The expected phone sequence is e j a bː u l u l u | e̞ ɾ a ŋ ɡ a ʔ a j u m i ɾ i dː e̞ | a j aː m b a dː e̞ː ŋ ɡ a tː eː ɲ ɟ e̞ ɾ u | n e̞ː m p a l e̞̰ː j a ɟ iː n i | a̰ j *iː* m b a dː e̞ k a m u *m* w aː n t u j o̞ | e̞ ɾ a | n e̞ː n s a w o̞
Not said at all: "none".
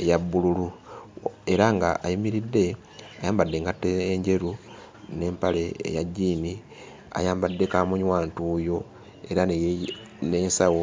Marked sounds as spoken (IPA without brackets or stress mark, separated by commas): aː, ɲ